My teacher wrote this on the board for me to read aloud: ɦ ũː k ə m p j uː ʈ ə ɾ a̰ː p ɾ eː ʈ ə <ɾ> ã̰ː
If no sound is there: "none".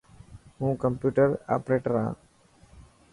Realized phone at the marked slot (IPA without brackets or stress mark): ɾ